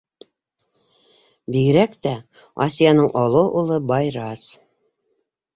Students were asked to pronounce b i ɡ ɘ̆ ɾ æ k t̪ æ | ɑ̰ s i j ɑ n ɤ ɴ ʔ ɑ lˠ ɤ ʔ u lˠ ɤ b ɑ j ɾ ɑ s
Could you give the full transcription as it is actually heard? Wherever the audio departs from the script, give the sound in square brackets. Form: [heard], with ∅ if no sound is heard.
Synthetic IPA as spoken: b i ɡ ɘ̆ ɾ æ k t̪ æ | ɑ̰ s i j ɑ n ɤ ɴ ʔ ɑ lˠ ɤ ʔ u lˠ ɤ b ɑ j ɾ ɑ s